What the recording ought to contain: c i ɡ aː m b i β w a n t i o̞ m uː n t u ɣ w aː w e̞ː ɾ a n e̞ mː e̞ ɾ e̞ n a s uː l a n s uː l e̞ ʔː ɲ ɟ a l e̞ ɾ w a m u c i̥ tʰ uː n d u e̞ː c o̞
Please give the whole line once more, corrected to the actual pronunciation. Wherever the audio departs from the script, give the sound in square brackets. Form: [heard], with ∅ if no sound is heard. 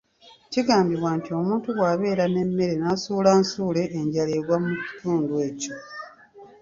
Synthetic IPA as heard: c i ɡ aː m b i β w a n t i o̞ m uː n t u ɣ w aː [β] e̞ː ɾ a n e̞ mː e̞ ɾ e̞ n a s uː l a n s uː l e̞ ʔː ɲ ɟ a l e̞ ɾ w a m u c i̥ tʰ uː n d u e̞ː c o̞